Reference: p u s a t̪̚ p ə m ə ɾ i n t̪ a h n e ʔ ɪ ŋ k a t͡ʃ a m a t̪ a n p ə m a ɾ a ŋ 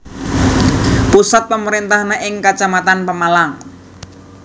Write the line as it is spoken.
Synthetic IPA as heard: p u s a t̪̚ p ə m ə ɾ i n t̪ a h n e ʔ ɪ ŋ k a t͡ʃ a m a t̪ a n p ə m a l a ŋ